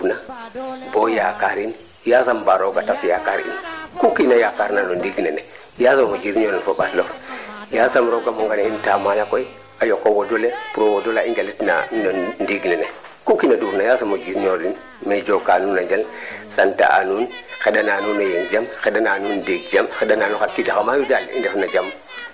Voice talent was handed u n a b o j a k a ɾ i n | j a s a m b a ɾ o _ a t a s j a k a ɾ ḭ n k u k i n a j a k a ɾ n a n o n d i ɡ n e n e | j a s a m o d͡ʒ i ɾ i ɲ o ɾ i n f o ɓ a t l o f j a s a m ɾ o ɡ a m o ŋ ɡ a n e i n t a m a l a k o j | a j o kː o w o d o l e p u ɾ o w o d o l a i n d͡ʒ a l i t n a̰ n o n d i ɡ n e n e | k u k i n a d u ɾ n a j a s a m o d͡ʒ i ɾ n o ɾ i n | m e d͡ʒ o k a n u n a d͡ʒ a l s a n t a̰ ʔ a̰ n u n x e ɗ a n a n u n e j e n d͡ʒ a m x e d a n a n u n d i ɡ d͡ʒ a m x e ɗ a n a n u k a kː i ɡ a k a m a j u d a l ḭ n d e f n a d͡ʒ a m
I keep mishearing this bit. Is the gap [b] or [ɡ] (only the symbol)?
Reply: ɡ